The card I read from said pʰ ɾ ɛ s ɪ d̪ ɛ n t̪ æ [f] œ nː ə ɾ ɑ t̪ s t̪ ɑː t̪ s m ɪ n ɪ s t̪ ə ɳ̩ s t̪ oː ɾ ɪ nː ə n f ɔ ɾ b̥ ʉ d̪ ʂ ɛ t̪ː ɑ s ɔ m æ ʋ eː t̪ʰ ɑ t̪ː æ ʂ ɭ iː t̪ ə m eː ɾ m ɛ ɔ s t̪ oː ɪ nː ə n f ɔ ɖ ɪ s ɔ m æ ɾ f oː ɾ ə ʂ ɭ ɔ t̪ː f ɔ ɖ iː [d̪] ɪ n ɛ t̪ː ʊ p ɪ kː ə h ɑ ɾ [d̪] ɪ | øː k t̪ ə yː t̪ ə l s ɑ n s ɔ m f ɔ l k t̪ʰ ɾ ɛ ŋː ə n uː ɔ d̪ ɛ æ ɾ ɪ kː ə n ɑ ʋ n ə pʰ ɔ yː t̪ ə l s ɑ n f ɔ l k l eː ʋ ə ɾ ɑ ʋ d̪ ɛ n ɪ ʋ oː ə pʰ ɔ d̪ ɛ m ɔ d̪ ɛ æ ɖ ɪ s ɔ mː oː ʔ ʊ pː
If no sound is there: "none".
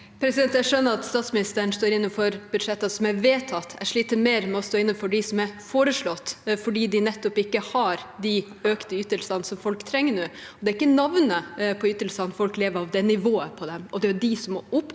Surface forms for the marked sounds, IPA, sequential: ʂ, d̪, d̪

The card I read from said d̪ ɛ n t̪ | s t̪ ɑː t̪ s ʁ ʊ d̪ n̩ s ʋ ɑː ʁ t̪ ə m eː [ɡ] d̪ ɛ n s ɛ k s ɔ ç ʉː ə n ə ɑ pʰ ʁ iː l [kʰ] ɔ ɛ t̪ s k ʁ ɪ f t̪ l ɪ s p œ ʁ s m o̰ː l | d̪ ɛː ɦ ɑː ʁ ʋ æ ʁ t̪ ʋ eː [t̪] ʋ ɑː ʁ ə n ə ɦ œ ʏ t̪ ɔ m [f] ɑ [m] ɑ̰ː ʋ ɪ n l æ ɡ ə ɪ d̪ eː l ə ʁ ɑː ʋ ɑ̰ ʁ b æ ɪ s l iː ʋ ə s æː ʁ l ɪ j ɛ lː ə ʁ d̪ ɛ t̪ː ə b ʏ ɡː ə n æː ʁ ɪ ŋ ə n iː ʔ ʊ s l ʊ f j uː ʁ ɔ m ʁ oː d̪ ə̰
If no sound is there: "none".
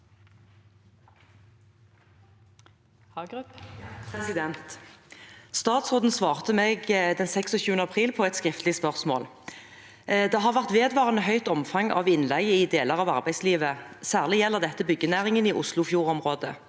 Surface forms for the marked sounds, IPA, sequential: ɡ, pʰ, d̪, f, ŋ

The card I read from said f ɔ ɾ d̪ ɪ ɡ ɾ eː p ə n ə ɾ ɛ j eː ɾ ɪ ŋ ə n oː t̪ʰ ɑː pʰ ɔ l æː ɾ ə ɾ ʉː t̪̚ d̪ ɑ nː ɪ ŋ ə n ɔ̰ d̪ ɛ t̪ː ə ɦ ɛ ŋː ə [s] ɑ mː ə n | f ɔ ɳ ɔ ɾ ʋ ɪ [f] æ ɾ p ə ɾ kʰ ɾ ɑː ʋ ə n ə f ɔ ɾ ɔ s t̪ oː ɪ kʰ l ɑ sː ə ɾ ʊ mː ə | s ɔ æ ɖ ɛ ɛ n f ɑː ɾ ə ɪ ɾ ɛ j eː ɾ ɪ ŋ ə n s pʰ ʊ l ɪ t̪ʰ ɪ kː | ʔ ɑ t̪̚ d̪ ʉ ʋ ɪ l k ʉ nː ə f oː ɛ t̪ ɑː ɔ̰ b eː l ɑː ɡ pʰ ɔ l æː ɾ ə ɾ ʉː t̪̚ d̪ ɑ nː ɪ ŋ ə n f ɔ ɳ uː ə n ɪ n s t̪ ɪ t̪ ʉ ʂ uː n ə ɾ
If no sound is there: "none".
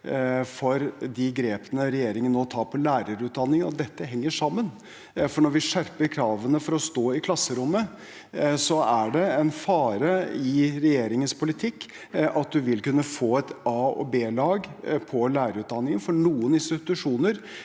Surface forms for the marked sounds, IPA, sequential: ʂ, ʂ

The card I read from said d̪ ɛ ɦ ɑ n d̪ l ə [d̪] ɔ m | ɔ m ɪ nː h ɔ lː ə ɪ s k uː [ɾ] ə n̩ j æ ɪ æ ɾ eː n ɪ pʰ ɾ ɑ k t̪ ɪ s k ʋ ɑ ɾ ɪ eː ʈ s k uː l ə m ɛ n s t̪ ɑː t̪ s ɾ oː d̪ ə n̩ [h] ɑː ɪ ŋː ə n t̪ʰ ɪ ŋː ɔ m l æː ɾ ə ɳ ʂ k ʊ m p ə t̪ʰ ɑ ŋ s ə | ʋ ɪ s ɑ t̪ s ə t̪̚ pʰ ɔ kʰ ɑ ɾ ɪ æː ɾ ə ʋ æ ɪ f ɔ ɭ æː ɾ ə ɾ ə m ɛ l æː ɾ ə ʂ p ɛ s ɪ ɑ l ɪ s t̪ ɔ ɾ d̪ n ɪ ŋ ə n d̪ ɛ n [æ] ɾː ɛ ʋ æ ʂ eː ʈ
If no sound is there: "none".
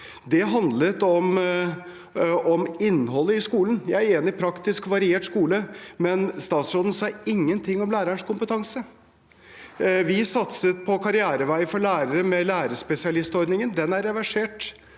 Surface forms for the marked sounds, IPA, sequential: t̪, l, s, æ

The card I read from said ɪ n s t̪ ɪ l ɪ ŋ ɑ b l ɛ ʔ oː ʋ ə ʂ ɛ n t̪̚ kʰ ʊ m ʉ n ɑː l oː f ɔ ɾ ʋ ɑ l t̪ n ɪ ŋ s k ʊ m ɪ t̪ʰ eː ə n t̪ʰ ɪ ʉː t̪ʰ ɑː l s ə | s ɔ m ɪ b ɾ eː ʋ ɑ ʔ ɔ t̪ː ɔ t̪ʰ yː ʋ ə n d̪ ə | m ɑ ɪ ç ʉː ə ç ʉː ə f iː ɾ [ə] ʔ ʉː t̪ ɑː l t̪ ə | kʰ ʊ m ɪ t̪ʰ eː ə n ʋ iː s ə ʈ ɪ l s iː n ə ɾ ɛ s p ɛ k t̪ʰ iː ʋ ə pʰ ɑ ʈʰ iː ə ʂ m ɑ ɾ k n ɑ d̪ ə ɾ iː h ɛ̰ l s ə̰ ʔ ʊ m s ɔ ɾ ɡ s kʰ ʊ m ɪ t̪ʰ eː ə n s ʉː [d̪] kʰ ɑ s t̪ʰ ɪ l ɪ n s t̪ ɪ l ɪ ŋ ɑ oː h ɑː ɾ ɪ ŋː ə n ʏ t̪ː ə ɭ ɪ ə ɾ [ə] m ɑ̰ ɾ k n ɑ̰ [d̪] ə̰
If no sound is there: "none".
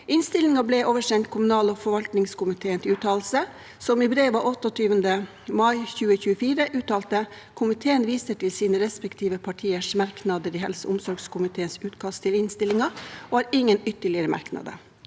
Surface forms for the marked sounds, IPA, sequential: ə, t̪, ə, d̪

